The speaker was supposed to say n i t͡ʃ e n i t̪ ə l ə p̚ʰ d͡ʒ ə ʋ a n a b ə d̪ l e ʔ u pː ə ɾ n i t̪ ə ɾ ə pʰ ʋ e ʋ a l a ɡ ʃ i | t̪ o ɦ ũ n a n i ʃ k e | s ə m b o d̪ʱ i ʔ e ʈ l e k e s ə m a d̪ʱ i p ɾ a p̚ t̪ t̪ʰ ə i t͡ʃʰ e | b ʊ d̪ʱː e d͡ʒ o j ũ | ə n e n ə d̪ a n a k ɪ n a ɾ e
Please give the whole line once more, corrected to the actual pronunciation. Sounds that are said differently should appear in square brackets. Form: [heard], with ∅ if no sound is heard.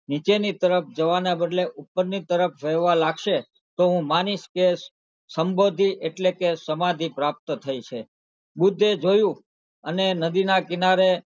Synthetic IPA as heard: n i t͡ʃ e n i t̪ ə [ɾ] ə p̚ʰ d͡ʒ ə ʋ a n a b ə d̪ l e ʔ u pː ə ɾ n i t̪ ə ɾ ə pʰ ʋ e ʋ a l a ɡ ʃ [e] | t̪ o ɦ ũ [m] a n i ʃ k e | s ə m b o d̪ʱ i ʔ e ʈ l e k e s ə m a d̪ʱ i p ɾ a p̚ t̪ t̪ʰ ə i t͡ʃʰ e | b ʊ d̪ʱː e d͡ʒ o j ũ | ə n e n ə d̪ [i] n a k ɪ n a ɾ e